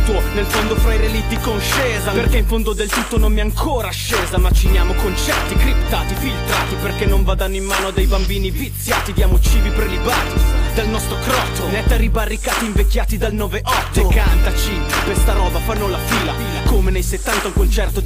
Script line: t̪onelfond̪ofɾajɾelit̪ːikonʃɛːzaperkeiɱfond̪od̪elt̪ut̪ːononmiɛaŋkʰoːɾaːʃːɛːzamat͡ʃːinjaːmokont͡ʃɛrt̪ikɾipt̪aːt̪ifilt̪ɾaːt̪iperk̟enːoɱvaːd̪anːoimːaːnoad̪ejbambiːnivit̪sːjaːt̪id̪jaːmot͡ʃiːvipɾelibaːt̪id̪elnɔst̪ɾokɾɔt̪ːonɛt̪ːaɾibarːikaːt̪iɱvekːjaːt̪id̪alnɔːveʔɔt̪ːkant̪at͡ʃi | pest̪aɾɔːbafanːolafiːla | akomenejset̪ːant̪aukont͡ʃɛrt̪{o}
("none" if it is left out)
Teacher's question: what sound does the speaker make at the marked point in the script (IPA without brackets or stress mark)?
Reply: o